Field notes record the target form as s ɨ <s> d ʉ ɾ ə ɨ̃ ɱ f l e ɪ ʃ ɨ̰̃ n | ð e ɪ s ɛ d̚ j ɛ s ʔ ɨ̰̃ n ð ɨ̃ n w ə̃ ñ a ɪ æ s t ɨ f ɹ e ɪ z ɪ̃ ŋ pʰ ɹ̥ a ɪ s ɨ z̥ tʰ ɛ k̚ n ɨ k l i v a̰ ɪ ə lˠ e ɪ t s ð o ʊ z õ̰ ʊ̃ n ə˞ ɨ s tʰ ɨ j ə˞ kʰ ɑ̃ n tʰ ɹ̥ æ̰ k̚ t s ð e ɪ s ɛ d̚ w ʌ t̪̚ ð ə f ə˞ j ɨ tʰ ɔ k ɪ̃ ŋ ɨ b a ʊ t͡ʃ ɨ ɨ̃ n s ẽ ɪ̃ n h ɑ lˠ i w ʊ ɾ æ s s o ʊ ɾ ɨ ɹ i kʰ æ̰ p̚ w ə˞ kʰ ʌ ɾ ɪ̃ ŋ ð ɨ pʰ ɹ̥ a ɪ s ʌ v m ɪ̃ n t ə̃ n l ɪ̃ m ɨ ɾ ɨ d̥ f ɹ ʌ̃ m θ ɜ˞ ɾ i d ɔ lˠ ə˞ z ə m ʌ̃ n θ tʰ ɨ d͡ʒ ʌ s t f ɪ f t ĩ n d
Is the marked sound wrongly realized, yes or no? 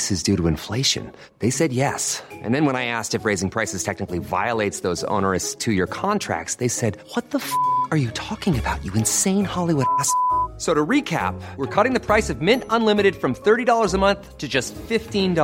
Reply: yes